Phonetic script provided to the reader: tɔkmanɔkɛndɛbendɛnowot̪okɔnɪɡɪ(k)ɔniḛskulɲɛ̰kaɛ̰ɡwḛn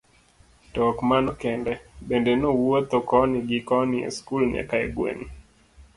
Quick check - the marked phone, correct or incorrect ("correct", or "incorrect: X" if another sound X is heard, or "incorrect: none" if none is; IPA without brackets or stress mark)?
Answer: correct